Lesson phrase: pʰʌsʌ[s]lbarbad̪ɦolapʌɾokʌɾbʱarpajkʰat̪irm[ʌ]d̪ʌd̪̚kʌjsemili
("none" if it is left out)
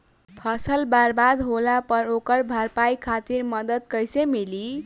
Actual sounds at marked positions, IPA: none, ʌ

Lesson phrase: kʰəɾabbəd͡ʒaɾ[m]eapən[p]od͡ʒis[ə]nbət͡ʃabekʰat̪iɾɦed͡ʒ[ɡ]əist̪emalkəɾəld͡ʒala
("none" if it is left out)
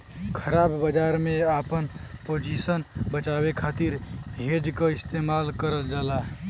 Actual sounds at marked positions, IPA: m, p, ə, k

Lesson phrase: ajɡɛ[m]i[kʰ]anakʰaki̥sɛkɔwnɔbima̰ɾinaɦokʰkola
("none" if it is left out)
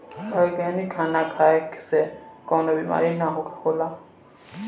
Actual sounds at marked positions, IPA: n, kʰ

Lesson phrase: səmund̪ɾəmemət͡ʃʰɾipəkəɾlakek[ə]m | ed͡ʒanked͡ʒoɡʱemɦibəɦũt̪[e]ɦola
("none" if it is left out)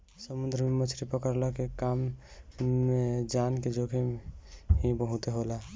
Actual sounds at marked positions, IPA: a, e

